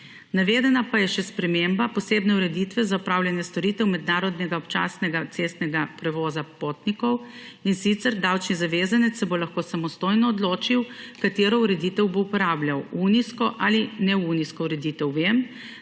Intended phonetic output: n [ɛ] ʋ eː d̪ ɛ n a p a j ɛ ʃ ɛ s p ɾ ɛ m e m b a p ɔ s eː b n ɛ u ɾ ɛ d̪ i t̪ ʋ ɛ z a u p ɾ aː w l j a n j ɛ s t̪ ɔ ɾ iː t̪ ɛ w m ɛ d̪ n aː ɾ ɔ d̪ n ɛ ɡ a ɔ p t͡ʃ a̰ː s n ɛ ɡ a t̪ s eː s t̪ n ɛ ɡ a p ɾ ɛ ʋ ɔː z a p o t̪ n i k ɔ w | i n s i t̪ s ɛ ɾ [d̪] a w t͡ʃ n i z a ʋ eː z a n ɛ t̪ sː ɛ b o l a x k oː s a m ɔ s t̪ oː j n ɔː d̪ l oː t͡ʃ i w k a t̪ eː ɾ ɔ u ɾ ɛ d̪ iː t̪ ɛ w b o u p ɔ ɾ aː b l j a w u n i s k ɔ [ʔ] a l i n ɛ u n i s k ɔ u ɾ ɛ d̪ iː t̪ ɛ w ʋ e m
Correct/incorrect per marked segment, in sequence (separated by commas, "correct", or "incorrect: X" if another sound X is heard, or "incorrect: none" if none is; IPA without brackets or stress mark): incorrect: a, correct, correct